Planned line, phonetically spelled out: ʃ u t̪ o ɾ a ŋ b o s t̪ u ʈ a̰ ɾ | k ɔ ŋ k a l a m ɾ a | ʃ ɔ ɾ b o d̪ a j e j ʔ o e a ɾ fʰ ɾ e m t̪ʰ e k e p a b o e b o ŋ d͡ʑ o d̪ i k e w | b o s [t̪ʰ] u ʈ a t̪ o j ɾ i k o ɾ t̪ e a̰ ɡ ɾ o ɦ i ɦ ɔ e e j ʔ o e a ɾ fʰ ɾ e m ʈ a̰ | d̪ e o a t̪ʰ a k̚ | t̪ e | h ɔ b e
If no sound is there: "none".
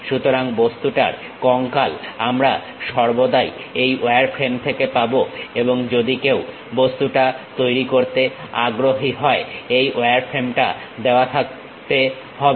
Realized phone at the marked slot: t̪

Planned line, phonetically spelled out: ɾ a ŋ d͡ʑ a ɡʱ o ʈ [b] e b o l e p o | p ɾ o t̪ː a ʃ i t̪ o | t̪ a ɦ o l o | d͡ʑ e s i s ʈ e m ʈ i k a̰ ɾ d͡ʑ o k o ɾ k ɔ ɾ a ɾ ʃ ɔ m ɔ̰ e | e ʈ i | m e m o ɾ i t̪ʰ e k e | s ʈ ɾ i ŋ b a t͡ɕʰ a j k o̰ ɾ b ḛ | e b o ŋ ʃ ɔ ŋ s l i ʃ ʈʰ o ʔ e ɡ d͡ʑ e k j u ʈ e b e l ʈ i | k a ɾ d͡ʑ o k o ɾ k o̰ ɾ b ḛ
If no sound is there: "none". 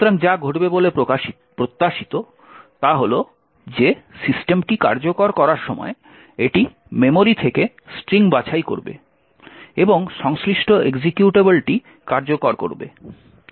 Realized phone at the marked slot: b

